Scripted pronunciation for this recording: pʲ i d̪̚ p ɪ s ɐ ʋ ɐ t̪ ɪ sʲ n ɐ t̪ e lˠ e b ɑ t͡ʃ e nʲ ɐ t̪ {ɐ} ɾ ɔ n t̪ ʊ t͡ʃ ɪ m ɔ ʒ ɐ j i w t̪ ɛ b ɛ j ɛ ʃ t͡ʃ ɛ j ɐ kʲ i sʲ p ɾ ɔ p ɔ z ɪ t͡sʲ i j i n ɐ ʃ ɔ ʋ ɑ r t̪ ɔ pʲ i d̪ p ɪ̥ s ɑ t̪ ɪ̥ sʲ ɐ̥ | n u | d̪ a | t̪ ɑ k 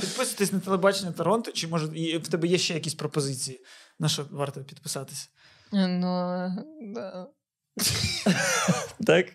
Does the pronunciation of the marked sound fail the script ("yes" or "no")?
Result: no